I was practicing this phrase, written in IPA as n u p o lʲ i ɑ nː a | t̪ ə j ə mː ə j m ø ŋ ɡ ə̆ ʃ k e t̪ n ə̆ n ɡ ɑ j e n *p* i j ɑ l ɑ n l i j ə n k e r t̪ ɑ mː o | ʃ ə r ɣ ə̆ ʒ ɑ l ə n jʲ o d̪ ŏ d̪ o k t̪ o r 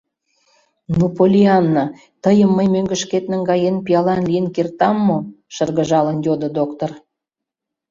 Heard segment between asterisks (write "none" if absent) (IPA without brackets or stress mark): p